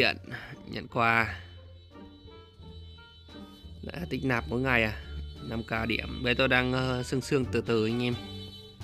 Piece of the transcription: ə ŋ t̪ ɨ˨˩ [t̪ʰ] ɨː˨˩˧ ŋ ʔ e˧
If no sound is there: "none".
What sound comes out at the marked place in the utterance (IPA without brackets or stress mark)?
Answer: t̪